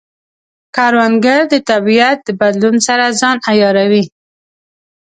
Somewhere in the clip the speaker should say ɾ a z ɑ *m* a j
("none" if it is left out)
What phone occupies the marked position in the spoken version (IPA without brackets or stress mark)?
n